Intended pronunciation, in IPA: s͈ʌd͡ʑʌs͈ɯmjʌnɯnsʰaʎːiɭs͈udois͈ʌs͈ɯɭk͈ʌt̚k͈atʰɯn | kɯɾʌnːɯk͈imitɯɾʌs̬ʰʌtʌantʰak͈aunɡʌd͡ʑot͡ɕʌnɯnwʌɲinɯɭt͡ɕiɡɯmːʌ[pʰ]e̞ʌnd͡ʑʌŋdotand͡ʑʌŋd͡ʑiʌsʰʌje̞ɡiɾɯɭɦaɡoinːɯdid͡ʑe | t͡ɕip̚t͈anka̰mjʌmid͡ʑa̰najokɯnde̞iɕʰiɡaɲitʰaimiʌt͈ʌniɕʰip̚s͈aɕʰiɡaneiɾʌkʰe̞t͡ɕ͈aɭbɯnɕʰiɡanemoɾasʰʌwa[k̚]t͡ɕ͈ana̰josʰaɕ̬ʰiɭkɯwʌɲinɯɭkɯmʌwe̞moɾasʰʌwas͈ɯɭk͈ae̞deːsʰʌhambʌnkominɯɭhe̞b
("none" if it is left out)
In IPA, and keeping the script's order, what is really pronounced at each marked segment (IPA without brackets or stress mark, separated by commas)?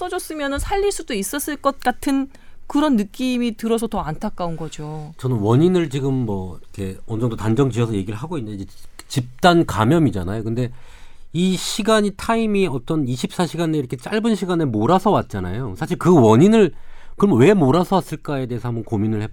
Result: kʰ, t̚